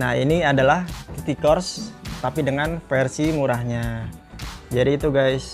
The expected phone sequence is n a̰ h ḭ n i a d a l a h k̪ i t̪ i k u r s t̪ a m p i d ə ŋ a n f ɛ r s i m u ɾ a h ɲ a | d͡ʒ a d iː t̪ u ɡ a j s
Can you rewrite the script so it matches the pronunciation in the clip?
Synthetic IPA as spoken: n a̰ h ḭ n i a d a l a h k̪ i t̪ i k ɔ r s t̪ a p i d ə ŋ a n f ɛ r s i m u ɾ a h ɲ a | d͡ʒ a d iː t̪ u ɡ a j s